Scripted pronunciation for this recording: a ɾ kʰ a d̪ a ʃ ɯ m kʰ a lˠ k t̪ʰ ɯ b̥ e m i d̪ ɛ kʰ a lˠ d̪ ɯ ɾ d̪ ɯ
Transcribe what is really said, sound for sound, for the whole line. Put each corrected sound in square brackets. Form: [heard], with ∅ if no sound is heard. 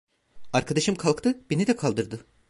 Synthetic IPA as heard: a ɾ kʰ a d̪ a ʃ ɯ m kʰ a lˠ k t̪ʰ ɯ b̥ e [n] i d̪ ɛ kʰ a lˠ d̪ ɯ ɾ d̪ ɯ